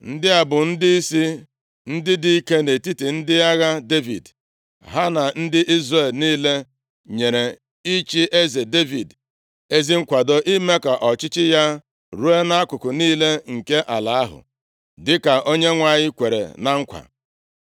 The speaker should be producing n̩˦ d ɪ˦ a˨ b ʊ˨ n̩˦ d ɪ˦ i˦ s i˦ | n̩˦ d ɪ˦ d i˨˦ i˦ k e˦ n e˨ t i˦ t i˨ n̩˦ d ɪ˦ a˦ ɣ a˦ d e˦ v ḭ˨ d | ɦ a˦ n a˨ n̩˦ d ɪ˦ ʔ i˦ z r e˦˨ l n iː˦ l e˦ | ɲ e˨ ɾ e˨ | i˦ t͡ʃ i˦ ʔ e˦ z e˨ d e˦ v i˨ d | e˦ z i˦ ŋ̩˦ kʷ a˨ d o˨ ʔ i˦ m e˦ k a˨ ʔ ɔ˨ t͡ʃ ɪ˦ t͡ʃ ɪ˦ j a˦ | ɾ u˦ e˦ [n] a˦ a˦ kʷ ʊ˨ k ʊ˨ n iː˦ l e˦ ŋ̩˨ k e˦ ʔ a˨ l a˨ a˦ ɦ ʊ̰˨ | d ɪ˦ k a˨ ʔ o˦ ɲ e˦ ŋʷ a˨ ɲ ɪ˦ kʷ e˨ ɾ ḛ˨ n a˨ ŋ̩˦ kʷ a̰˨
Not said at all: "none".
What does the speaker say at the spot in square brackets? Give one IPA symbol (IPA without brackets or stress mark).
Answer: n